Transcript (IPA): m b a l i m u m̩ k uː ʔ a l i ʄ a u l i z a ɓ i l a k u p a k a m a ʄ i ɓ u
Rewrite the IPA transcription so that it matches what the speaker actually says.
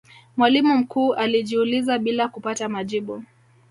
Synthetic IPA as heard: m w a l i m u m̩ k uː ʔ a l i ʄ i u l i z a ɓ i l a k u p a t a m a ʄ i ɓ u